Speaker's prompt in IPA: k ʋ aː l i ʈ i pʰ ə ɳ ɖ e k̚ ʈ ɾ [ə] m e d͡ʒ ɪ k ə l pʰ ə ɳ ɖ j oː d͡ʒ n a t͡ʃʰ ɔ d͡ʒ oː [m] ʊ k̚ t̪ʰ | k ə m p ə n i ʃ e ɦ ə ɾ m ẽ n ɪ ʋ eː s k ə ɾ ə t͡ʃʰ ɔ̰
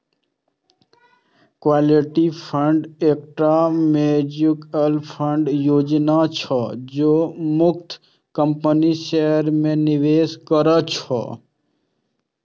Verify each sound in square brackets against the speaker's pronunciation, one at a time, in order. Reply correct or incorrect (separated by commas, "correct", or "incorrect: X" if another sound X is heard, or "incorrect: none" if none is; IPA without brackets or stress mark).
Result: incorrect: a, correct